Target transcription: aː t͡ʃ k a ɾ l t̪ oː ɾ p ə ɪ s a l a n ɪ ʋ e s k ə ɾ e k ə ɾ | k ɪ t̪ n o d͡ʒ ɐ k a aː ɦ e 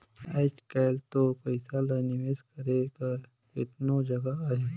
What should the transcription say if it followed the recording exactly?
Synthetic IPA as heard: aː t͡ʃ k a l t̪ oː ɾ p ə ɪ s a l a n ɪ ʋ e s k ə ɾ e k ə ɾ | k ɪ t̪ n o d͡ʒ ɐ ɡ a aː ɦ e